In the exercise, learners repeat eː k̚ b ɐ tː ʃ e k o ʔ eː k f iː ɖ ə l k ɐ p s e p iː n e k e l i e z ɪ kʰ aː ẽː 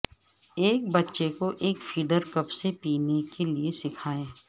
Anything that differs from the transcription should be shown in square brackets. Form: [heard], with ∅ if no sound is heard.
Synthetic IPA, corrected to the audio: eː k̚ b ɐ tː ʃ e k o ʔ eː k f iː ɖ ə [ɾ] k ɐ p s e p iː n e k e l i e [s] ɪ kʰ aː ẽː